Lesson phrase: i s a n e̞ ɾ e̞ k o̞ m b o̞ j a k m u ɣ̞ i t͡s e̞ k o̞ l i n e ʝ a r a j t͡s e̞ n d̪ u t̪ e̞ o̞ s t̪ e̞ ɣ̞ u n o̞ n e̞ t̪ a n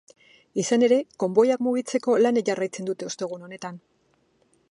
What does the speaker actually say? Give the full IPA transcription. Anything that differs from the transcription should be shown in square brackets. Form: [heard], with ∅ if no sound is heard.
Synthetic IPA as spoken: i s a n e̞ ɾ e̞ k o̞ m b o̞ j a k m u ɣ̞ i t͡s e̞ k o̞ l [a] n e ʝ a r a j t͡s e̞ n d̪ u t̪ e̞ o̞ s t̪ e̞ ɣ̞ u n o̞ n e̞ t̪ a n